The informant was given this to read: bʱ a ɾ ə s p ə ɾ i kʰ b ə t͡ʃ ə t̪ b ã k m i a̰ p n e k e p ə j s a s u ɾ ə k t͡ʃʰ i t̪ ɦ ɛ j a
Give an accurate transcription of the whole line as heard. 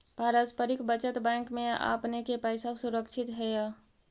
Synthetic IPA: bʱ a ɾ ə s p ə ɾ i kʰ b ə t͡ʃ ə t̪ b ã k m e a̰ p n e k e p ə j s a s u ɾ ə k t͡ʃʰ i t̪ ɦ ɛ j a